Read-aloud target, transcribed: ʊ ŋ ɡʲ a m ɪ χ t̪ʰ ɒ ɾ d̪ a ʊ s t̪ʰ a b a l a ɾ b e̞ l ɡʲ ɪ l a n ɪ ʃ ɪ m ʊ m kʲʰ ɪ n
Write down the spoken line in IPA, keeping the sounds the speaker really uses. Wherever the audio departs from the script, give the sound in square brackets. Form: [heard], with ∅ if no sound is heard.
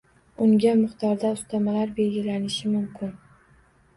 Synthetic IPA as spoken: ʊ ŋ ɡʲ a m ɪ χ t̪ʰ ɒ ɾ d̪ a ʊ s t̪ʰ a [m] a l a ɾ b e̞ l ɡʲ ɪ l a n ɪ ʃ ɪ m ʊ m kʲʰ ɪ n

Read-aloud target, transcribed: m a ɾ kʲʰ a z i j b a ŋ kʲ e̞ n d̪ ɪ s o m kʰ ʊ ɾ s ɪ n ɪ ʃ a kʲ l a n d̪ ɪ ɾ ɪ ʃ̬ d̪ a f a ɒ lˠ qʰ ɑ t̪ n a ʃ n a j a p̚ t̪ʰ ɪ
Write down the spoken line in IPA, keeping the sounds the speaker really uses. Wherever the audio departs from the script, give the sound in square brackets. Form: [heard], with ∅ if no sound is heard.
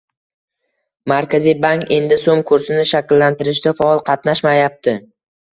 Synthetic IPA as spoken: m a ɾ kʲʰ a z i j b a ŋ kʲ e̞ n d̪ ɪ s o m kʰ ʊ ɾ s ɪ n ɪ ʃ a kʲ [lː] a n [t̪] ɪ ɾ ɪ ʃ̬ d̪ a f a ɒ lˠ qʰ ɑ t̪ n a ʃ [m] a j a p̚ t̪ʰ ɪ

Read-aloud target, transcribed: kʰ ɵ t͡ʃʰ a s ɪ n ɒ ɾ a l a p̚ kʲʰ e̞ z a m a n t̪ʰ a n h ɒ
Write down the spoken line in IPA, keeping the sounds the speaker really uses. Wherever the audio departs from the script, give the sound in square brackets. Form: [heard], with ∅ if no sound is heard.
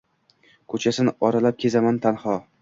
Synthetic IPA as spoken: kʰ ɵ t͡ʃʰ a s ɪ n ɒ ɾ a l a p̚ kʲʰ e̞ z a m a n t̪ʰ a n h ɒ

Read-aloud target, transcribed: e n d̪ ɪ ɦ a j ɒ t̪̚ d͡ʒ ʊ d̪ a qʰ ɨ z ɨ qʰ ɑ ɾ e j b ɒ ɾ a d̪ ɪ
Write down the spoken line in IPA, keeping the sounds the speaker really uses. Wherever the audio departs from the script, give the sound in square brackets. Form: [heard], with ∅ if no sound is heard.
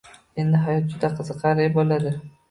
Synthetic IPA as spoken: e n d̪ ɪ ɦ a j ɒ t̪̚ d͡ʒ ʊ d̪ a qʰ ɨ z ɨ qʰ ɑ ɾ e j b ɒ [l] a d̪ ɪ

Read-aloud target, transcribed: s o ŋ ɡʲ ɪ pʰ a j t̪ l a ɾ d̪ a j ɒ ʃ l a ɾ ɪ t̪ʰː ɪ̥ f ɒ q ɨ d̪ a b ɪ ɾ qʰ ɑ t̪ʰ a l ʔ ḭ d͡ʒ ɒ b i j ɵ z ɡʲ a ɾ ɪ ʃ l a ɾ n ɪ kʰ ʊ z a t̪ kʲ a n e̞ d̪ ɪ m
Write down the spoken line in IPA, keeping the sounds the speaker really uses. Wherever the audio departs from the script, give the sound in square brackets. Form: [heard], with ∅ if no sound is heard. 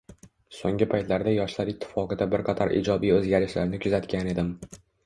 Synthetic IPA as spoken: s o ŋ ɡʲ ɪ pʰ a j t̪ l a ɾ d̪ a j ɒ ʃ l a ɾ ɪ t̪ʰː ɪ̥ f ɒ q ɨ d̪ a b ɪ ɾ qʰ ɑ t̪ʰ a [ɾ] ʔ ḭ d͡ʒ ɒ b i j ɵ z ɡʲ a ɾ ɪ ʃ l a ɾ n ɪ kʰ ʊ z a t̪ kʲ a n e̞ d̪ ɪ m

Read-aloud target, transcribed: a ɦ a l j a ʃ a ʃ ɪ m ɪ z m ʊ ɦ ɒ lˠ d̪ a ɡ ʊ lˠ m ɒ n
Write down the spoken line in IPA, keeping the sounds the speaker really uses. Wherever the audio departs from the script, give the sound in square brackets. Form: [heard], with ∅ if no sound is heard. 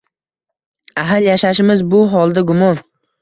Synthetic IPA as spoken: a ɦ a l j a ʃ a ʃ ɪ m ɪ z [b] ʊ ɦ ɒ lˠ d̪ a ɡ ʊ [∅] m ɒ n

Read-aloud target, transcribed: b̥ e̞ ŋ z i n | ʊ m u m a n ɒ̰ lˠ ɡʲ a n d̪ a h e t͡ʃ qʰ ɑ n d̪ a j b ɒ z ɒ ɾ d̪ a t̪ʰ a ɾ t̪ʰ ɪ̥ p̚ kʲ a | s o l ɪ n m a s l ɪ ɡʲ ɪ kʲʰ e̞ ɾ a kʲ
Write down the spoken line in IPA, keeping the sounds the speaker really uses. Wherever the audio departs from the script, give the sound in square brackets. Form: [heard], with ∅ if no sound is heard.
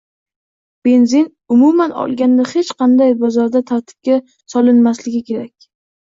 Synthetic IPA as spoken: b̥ e̞ [n] z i n | ʊ m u m a n ɒ̰ lˠ ɡʲ a n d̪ a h e t͡ʃ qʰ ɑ n d̪ a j b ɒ z ɒ ɾ d̪ a t̪ʰ a ɾ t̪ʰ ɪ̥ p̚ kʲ a | s [ɒ] l ɪ n m a s l ɪ ɡʲ ɪ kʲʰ e̞ ɾ a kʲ

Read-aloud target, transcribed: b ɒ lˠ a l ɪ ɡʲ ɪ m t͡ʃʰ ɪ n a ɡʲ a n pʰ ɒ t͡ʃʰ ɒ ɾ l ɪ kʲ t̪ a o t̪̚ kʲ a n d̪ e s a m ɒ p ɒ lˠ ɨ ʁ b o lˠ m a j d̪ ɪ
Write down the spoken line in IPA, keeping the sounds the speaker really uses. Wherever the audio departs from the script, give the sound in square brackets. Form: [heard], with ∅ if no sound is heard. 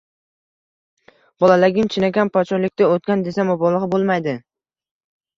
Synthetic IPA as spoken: b ɒ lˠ a l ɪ ɡʲ ɪ m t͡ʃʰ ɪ n a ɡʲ a n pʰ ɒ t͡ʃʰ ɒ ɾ l ɪ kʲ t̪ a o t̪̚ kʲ a n d̪ e s a m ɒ [b] ɒ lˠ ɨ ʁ b o lˠ m a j d̪ ɪ

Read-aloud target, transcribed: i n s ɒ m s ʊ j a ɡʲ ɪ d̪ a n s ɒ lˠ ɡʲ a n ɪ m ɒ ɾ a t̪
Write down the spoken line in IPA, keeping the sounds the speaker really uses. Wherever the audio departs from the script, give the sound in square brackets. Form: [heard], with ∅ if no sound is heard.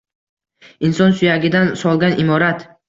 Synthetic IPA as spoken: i n s ɒ [n] s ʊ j a ɡʲ ɪ d̪ a n s ɒ lˠ ɡʲ a n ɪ m ɒ ɾ a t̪

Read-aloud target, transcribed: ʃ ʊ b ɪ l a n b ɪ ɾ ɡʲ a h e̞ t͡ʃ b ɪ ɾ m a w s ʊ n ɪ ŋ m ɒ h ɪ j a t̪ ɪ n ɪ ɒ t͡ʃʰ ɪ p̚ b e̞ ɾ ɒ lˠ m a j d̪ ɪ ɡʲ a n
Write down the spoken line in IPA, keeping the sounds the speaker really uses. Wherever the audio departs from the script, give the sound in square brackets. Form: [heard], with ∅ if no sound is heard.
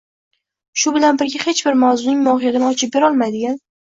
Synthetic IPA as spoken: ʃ ʊ b ɪ l a n b ɪ ɾ ɡʲ a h e̞ t͡ʃ b ɪ ɾ m a w [z] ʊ n ɪ ŋ m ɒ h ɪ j a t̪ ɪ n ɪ ɒ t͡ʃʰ ɪ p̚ b e̞ ɾ ɒ lˠ m a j d̪ ɪ ɡʲ a n

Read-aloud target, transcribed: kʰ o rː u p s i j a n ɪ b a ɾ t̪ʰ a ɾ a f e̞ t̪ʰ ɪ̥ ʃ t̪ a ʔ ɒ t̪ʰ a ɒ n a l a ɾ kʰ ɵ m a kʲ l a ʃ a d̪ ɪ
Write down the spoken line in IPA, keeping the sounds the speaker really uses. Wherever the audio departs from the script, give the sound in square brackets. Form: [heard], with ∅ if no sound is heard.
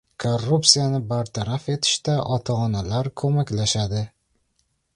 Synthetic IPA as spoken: kʰ o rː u p s i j a n ɪ b a ɾ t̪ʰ a ɾ a f e̞ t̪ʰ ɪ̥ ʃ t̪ a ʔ ɒ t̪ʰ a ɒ n a l a ɾ kʰ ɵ m a kʲ l a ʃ a d̪ ɪ

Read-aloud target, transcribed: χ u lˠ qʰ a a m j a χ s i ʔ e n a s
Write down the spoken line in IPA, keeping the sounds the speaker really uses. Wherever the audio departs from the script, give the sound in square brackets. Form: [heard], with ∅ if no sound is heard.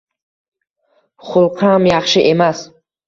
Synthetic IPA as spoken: χ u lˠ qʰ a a m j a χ [ʃ] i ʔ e [m] a s

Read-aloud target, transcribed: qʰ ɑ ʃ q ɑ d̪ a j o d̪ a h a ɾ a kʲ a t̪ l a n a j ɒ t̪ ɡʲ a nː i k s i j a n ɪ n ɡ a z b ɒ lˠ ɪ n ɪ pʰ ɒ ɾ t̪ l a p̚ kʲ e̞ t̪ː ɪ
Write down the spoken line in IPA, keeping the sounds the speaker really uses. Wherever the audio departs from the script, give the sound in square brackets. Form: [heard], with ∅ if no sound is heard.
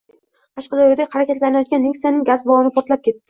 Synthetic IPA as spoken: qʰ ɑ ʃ q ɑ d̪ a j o d̪ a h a ɾ a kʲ a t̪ l a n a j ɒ t̪ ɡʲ a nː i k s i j a n ɪ [ŋ] ɡ a z b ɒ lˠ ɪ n ɪ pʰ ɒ ɾ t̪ l a p̚ kʲ e̞ t̪ː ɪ

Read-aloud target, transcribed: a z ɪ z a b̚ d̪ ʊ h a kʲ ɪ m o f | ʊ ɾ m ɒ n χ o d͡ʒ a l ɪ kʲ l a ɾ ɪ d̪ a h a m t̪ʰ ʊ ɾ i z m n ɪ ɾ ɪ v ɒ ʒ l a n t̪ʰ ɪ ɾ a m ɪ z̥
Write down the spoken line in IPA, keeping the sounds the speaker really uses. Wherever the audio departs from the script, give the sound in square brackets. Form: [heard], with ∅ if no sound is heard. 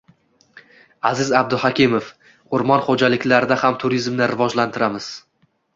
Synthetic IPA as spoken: a z ɪ z a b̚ d̪ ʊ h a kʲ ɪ m o f | ʊ ɾ m ɒ n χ o d͡ʒ a l ɪ kʲ l a ɾ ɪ d̪ a h a m t̪ʰ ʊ ɾ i z m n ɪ ɾ ɪ v ɒ [d͡ʒ] l a n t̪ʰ ɪ ɾ a m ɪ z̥

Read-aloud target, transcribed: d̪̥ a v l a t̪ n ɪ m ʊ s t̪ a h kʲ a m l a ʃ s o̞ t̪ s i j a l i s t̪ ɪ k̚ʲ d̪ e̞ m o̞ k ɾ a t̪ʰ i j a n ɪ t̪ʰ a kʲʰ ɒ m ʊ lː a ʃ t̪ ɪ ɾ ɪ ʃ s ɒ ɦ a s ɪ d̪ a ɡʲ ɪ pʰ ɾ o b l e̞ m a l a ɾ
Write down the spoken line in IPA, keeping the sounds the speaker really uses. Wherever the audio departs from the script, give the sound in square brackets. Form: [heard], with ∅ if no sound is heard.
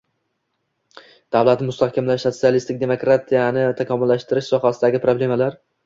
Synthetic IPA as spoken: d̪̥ a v l a t̪ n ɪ m ʊ s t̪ a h kʲ a m l a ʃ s o̞ t̪ s i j a l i s t̪ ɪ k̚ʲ d̪ e̞ m o̞ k ɾ a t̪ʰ i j a n ɪ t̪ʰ a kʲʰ ɒ m ʊ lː a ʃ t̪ ɪ ɾ ɪ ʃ s ɒ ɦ a s ɪ d̪ a ɡʲ ɪ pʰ ɾ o b l e̞ m a l a ɾ

